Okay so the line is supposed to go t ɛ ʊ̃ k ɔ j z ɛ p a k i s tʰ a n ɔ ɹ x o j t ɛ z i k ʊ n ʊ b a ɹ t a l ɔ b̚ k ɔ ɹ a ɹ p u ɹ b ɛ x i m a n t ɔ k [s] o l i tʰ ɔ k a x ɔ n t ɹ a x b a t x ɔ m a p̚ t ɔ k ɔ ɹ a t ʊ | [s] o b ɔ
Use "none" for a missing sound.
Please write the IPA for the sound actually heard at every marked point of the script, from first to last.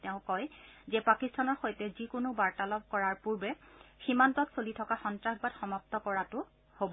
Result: s, h

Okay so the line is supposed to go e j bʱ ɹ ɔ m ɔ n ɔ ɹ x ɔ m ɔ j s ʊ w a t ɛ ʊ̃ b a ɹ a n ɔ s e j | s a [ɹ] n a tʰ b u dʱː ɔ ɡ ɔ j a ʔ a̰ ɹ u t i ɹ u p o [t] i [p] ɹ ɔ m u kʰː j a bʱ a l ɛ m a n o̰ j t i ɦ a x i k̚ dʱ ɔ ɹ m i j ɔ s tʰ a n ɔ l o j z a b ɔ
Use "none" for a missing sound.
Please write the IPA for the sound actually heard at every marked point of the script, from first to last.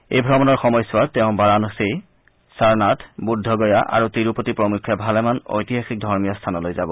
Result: ɹ, t, p

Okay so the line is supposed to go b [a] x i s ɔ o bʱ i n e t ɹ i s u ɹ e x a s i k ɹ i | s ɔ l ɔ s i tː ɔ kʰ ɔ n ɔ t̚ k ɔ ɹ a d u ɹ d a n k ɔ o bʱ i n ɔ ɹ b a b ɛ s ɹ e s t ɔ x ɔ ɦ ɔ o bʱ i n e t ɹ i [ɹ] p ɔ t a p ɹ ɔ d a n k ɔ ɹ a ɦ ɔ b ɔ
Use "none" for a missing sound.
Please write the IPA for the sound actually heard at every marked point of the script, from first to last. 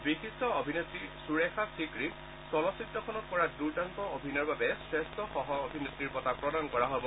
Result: i, ɹ

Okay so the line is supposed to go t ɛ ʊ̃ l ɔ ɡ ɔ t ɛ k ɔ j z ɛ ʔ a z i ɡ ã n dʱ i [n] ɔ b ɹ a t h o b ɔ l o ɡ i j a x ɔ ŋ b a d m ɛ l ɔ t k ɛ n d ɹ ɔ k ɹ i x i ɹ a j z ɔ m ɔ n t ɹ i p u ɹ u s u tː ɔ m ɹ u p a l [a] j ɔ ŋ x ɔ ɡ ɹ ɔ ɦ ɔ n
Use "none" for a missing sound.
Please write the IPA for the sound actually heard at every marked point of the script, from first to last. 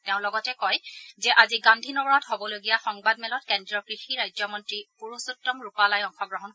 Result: n, a

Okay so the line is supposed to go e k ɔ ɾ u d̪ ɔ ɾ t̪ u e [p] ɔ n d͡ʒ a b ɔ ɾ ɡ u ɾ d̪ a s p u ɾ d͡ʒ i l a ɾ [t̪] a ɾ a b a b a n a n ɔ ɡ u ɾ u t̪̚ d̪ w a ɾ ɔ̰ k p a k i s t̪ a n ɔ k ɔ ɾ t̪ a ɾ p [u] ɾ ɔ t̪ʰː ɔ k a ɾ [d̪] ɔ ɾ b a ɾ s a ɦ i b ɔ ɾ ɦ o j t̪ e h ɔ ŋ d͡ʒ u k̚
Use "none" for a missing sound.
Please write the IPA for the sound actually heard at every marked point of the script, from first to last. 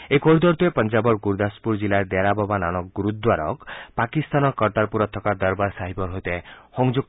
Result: p, d̪, u, d̪

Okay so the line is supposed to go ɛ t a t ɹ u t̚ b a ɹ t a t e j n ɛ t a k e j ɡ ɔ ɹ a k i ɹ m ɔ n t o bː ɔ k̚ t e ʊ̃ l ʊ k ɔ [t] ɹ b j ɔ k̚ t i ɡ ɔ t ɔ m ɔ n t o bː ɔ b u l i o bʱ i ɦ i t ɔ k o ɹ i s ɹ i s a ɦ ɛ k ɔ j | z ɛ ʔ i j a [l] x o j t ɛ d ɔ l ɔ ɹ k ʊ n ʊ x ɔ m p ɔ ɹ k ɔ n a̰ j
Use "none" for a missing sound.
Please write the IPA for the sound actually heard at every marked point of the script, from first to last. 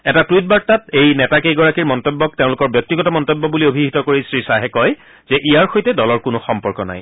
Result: none, ɹ

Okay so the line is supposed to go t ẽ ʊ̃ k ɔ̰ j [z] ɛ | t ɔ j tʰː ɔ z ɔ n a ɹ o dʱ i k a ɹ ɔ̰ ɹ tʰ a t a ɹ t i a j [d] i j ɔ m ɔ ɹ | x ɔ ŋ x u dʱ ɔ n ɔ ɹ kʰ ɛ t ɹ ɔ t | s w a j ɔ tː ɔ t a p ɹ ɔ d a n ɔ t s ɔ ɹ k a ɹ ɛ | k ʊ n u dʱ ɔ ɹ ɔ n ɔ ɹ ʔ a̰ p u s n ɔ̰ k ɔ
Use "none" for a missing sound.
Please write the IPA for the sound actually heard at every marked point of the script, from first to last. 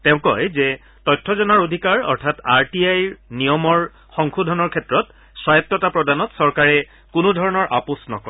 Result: z, n

